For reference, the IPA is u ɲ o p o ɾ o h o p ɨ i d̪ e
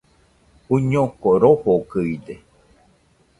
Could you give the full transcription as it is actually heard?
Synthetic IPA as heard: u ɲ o k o ɾ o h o k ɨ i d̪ e